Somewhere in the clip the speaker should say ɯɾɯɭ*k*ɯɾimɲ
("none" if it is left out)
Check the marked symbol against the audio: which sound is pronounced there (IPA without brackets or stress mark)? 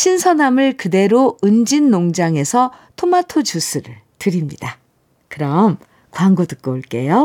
t